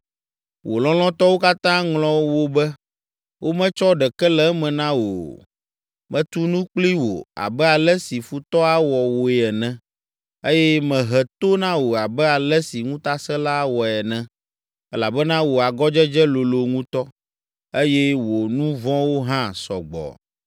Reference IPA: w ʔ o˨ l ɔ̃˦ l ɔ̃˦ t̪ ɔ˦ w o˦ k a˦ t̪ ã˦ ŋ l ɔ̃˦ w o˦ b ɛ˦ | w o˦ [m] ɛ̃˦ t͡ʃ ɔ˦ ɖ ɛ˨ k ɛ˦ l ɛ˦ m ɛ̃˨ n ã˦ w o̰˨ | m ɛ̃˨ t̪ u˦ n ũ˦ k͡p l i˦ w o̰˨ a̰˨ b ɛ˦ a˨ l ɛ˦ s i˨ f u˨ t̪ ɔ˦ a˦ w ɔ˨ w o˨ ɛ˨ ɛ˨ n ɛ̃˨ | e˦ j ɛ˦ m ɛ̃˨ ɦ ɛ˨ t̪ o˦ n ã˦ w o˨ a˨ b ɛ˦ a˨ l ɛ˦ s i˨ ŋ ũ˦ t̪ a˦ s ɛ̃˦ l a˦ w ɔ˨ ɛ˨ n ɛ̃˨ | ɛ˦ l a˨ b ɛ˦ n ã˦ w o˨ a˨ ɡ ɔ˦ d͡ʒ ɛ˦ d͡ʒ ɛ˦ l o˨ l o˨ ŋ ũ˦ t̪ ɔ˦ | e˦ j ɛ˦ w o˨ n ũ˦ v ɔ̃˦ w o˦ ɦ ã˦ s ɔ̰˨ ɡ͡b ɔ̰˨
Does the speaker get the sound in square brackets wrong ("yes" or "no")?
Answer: no